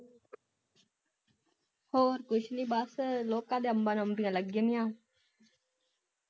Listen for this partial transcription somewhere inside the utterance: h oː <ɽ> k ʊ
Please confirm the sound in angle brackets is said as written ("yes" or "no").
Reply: no